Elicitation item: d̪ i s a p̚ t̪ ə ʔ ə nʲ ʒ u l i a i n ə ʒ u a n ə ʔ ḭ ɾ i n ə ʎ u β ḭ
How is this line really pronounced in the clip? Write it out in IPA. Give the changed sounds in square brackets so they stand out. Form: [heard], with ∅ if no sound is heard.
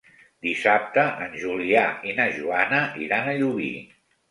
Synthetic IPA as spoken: d̪ i s a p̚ t̪ ə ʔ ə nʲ ʒ u l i a i n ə ʒ u a n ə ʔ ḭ ɾ [a] n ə ʎ u β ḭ